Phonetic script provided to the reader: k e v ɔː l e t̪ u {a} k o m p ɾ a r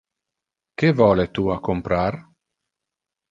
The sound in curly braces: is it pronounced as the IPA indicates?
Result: yes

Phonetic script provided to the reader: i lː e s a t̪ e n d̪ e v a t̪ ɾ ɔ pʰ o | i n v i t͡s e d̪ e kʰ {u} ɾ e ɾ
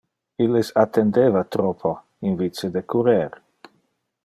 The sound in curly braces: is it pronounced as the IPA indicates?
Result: yes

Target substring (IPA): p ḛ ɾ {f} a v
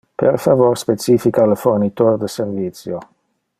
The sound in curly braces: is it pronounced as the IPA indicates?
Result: yes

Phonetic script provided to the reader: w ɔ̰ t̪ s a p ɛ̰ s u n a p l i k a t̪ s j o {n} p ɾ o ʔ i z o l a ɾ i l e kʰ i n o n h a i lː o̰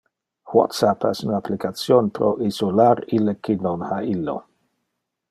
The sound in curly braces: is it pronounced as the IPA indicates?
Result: yes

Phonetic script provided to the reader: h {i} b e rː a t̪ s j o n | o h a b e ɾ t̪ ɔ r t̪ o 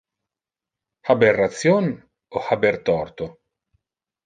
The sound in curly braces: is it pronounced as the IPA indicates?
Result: no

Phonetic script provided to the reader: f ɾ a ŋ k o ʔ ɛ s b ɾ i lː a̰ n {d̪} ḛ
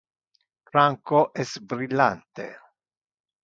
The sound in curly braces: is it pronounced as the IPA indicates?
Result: no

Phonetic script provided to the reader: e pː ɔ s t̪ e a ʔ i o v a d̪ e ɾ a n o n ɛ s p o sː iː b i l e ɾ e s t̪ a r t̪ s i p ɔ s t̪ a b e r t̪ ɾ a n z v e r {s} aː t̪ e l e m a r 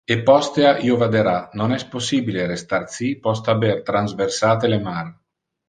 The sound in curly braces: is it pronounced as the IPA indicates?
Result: yes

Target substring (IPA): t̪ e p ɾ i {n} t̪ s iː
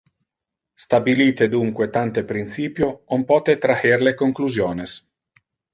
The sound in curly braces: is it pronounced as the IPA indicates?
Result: yes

